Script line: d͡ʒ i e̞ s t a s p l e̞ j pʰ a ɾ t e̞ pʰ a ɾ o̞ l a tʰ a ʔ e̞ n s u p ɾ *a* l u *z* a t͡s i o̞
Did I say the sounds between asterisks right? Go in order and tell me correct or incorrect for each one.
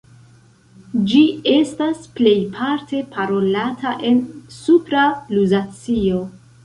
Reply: correct, correct

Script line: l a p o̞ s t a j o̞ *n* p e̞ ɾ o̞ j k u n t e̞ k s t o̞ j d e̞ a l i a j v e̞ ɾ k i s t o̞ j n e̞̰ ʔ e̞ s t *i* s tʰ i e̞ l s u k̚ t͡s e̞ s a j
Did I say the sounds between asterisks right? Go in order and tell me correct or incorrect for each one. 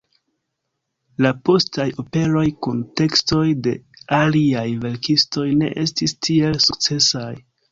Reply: incorrect: none, correct

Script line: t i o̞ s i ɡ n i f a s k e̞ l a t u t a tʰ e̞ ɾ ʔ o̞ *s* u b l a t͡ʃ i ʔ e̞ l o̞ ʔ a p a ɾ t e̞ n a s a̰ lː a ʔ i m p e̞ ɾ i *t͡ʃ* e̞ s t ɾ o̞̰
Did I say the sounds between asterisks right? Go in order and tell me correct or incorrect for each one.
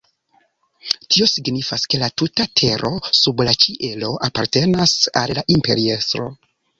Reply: correct, incorrect: none

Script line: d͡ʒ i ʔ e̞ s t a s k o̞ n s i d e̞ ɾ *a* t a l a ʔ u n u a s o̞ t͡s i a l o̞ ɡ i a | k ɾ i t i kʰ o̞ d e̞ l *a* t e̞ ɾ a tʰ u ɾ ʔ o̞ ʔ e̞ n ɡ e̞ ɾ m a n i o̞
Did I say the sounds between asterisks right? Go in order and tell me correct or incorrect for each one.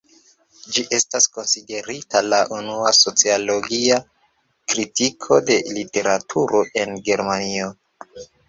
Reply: incorrect: i, incorrect: i

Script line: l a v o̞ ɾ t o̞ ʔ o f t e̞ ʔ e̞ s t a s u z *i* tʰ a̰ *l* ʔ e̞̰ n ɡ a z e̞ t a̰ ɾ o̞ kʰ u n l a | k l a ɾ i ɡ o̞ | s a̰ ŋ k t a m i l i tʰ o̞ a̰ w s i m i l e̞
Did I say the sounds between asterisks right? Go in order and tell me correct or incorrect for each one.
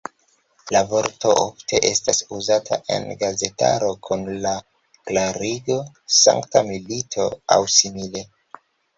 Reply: incorrect: a, incorrect: none

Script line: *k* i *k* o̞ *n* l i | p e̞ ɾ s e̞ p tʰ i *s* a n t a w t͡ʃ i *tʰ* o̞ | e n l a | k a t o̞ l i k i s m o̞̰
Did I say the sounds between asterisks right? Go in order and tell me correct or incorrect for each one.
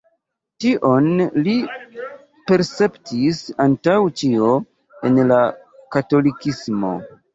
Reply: incorrect: t, incorrect: ʔ, correct, correct, incorrect: none

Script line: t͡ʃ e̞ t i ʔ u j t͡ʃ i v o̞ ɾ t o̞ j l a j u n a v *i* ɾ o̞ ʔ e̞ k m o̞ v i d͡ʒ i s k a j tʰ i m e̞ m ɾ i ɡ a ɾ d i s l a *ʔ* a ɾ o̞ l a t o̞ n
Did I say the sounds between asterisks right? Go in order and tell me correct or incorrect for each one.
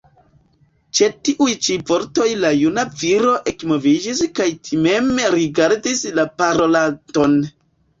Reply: correct, incorrect: p

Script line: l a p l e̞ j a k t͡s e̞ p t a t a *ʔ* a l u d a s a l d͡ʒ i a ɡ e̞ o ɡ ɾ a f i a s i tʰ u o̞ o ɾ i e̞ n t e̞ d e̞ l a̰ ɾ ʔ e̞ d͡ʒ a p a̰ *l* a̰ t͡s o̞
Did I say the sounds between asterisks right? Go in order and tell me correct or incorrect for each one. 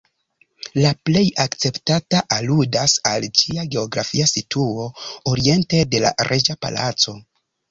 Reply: correct, correct

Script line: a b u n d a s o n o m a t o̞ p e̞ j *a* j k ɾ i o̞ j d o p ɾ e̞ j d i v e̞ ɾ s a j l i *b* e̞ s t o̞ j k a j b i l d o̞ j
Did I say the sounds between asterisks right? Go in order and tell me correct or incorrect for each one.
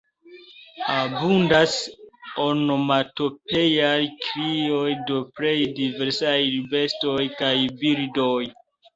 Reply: correct, correct

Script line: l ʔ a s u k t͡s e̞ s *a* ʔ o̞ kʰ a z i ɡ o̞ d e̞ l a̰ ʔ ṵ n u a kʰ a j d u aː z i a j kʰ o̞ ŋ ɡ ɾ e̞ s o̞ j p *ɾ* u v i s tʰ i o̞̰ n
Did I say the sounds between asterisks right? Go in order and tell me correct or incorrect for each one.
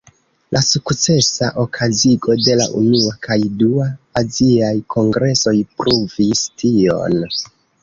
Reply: correct, correct

